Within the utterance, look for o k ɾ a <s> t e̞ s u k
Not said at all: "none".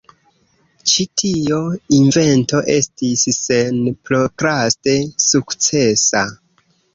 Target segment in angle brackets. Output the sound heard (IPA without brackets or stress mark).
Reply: s